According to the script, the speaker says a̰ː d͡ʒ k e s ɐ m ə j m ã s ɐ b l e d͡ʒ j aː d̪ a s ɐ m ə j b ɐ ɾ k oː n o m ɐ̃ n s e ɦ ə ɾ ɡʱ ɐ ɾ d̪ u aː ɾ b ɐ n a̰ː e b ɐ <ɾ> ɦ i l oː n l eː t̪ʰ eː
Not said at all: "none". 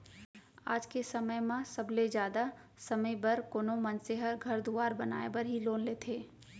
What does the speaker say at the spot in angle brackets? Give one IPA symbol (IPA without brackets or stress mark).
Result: ɾ